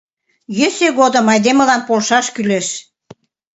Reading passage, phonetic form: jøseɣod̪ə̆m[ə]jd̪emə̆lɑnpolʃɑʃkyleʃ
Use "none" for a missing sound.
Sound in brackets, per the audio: ɑ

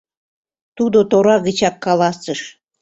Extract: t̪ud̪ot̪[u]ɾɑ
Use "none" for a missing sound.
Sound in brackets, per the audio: o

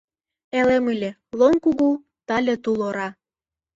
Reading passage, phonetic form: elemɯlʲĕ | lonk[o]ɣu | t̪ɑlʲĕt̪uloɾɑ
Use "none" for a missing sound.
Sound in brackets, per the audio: u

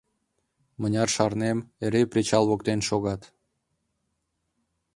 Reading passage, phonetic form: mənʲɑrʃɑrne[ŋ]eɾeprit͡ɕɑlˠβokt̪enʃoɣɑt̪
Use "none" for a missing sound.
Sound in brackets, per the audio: m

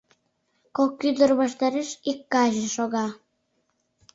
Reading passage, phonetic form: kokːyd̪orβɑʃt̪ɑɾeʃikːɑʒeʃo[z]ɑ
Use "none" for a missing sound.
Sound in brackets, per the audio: ɣ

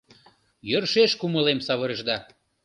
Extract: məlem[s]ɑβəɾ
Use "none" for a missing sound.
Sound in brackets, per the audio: s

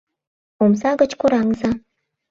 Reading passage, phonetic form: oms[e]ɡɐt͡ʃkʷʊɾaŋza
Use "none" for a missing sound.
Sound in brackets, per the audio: a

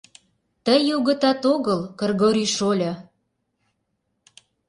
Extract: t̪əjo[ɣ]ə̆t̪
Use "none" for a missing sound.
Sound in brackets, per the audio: ɣ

